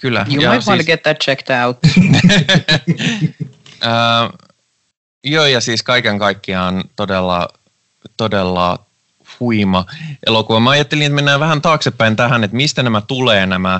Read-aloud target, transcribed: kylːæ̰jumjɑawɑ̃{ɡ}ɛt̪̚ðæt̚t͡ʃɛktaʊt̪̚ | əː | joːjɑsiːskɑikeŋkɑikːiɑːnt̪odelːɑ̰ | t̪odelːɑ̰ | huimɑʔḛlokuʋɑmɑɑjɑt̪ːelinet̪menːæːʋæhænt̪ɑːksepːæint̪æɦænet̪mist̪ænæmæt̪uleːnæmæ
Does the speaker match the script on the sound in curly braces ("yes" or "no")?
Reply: yes